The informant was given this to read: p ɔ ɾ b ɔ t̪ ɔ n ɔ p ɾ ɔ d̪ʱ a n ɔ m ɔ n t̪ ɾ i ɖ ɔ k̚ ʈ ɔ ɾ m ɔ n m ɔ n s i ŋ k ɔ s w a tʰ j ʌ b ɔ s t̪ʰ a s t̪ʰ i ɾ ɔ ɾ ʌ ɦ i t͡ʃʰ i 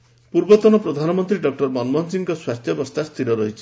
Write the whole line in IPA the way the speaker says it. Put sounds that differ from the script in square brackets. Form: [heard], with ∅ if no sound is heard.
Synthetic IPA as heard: p [u] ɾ b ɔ t̪ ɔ n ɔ p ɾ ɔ d̪ʱ a n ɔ m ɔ n t̪ ɾ i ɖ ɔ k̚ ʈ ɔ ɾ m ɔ n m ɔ n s i ŋ k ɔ s w a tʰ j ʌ b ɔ s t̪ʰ a s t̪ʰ i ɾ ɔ ɾ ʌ ɦ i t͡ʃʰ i